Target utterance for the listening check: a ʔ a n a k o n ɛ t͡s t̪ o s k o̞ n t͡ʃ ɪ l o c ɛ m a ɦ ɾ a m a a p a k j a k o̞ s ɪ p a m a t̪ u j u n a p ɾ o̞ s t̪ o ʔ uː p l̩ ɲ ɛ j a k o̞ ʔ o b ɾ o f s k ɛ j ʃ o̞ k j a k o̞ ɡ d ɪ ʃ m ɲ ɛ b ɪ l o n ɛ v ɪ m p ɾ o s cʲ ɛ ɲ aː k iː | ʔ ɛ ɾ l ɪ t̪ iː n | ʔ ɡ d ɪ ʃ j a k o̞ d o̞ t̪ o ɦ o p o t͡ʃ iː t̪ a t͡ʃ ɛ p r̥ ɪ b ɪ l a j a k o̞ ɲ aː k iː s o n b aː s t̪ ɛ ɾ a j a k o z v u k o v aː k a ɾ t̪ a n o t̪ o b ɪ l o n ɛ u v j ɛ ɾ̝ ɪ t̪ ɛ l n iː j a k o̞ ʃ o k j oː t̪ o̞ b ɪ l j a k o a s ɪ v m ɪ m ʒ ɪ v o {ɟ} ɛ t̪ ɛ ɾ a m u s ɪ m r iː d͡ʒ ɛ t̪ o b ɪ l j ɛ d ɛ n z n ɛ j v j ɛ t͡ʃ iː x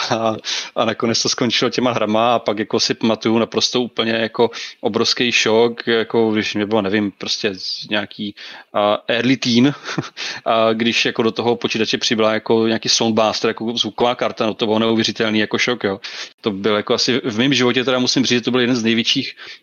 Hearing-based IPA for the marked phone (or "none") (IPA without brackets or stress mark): c